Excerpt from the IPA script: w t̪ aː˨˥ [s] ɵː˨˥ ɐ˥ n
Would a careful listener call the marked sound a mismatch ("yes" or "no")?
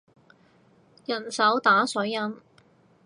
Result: no